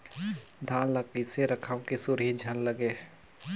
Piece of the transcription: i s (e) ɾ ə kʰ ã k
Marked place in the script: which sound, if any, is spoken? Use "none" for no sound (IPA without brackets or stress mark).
e